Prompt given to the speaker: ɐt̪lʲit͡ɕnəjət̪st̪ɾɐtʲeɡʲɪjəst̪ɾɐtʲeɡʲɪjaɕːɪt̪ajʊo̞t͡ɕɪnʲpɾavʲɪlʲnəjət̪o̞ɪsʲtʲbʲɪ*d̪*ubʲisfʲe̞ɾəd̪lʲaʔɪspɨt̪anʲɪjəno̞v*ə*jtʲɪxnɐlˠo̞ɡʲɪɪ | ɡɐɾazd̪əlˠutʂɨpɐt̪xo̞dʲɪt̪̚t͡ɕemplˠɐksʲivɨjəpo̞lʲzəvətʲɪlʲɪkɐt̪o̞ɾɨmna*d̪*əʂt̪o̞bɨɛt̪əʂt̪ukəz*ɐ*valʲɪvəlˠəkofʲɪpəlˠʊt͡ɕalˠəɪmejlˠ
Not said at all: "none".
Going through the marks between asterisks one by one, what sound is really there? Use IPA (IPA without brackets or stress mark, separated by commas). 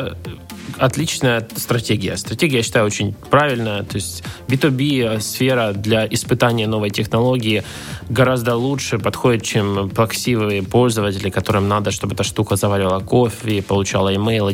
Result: t̪, ə, d̪, ɐ